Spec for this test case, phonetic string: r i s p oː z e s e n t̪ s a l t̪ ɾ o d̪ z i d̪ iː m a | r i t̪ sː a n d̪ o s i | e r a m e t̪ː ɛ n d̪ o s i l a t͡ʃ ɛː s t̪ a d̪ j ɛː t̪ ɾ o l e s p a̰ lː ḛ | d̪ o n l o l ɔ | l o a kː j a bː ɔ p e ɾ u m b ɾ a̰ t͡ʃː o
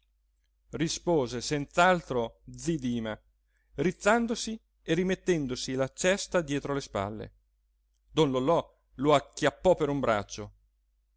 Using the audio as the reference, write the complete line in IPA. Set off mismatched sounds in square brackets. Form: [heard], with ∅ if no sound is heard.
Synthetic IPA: r i s p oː z e s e n t̪ s a l t̪ ɾ o d̪ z i d̪ iː m a | r i t̪ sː a n d̪ o s i | e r [i] m e t̪ː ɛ n d̪ o s i l a t͡ʃ [ɛ] s t̪ a d̪ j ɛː t̪ ɾ o l e s p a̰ lː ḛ | d̪ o n l o l ɔ | l o a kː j a [pː] ɔ p e ɾ u m b ɾ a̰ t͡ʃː o